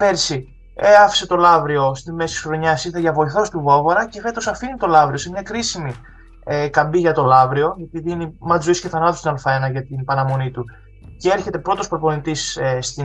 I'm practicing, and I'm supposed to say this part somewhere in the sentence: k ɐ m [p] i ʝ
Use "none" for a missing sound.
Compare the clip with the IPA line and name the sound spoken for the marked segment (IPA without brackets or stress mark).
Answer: b